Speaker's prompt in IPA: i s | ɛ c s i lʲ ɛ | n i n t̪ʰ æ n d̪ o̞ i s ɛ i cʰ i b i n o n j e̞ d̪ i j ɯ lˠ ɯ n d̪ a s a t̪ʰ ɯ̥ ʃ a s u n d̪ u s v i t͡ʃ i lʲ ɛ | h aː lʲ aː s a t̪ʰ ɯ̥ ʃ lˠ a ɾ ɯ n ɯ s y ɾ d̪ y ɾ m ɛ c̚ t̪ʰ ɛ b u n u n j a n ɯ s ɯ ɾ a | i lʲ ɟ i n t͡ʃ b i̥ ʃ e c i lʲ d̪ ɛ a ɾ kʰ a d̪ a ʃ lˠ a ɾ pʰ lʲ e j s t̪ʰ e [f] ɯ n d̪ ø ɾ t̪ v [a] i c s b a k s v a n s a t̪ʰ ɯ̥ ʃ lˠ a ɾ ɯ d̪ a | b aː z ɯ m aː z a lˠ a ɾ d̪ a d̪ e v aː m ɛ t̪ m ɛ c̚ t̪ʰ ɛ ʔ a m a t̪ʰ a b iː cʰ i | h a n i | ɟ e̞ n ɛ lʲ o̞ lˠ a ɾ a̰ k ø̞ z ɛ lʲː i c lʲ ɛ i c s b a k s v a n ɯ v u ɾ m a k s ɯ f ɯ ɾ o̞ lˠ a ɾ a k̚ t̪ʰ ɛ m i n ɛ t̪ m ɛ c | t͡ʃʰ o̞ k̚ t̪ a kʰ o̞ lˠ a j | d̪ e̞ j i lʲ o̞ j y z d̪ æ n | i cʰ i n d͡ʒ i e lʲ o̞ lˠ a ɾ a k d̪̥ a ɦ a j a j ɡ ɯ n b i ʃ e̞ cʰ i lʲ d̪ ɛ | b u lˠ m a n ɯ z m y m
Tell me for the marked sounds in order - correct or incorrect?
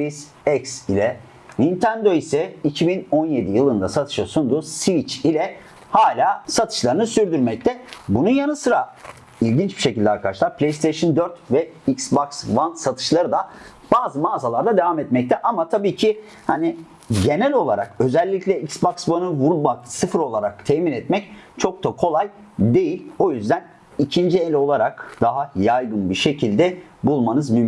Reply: incorrect, incorrect

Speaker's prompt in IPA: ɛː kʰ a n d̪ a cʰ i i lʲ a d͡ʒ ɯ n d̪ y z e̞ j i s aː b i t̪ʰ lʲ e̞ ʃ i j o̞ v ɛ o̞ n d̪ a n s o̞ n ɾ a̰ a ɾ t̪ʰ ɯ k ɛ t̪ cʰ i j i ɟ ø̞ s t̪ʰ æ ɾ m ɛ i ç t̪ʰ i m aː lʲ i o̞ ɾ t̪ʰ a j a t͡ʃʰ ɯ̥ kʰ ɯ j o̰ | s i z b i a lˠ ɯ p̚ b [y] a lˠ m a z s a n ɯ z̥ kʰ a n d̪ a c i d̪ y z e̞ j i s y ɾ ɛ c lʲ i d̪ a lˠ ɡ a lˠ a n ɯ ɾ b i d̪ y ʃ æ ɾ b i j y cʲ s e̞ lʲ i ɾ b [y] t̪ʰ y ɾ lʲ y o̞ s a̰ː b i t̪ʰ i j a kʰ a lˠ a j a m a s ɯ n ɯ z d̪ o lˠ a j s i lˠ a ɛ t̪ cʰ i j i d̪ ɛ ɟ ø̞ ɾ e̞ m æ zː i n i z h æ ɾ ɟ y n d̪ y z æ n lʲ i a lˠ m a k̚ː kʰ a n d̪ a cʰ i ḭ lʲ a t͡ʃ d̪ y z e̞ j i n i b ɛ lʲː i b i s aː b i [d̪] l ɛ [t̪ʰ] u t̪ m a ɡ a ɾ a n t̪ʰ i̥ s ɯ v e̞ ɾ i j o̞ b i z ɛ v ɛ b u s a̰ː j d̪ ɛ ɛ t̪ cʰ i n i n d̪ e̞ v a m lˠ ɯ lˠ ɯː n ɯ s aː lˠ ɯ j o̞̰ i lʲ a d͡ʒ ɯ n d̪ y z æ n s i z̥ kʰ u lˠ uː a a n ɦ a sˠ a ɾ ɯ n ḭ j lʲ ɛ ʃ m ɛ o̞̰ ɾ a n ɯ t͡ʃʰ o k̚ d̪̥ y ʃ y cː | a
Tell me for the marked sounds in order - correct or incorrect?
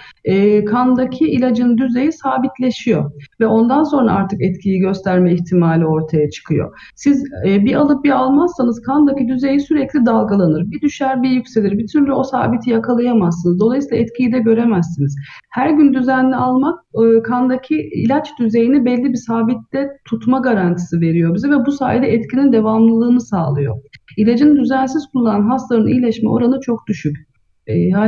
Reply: incorrect, incorrect, incorrect, correct

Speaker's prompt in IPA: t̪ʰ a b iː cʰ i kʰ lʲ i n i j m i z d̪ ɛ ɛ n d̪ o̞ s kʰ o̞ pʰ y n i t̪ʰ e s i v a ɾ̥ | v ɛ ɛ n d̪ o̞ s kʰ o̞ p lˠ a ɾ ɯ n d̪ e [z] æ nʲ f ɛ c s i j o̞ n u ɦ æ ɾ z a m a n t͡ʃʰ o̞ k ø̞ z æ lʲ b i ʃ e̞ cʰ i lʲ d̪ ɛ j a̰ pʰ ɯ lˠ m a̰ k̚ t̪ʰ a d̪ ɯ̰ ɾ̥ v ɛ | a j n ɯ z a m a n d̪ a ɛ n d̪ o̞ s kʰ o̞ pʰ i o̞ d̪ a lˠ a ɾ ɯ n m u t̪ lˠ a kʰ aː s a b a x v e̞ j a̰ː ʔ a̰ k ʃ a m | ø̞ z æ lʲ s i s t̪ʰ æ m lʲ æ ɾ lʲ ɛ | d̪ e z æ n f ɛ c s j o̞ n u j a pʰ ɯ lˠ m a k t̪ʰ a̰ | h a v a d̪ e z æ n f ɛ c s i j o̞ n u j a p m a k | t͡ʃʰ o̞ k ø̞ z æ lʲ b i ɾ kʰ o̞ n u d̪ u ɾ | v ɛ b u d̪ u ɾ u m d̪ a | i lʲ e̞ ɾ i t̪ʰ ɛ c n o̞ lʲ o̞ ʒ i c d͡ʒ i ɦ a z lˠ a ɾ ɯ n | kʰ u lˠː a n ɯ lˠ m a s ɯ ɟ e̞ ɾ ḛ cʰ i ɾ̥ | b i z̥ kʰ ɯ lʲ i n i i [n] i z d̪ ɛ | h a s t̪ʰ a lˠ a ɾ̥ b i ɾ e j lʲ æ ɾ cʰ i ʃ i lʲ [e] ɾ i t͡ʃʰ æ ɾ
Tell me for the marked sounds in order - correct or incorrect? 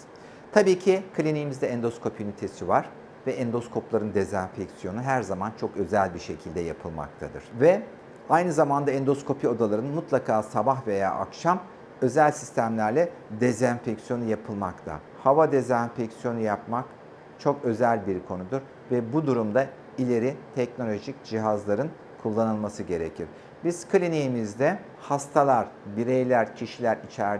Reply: correct, incorrect, incorrect

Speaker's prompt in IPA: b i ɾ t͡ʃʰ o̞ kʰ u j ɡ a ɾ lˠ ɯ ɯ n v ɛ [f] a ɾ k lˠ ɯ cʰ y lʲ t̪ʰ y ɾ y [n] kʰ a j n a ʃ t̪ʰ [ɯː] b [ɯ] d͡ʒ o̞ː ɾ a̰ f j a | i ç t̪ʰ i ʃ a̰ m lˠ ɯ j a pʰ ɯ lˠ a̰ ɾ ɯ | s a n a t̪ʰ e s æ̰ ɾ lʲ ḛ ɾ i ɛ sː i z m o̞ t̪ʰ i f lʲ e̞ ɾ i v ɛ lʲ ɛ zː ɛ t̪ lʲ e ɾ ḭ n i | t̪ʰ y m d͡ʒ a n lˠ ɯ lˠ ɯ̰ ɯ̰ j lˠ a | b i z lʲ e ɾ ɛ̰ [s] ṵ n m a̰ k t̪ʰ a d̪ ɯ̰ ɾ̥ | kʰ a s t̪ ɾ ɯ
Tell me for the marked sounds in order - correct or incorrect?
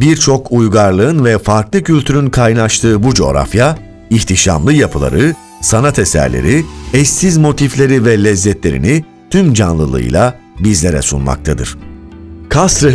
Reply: correct, correct, correct, incorrect, correct

